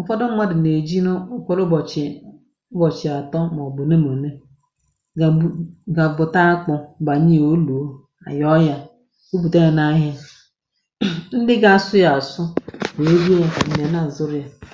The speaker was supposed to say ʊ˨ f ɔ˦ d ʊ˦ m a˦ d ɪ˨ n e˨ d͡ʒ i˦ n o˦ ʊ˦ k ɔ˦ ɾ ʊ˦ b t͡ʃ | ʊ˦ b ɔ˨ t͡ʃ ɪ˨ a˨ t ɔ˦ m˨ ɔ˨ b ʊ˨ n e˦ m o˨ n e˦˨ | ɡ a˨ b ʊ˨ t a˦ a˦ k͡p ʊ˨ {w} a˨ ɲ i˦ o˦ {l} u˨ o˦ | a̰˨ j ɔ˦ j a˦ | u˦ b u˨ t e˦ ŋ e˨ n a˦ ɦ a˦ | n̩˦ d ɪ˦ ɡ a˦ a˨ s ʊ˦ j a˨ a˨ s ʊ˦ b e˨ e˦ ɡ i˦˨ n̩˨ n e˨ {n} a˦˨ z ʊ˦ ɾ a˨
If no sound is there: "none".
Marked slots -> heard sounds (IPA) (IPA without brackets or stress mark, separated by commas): b, l, n